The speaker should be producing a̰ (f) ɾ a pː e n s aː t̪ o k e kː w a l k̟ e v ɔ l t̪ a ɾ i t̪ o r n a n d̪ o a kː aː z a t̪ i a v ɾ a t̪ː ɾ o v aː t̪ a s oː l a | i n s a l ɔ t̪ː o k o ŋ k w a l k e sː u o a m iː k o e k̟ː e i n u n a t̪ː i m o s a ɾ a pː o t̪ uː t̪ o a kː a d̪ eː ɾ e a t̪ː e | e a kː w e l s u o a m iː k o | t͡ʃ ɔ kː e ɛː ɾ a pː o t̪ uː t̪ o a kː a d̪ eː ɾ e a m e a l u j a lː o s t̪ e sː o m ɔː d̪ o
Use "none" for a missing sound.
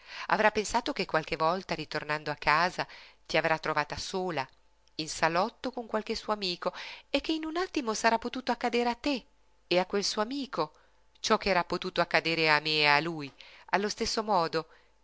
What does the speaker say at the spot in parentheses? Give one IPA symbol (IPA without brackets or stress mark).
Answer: v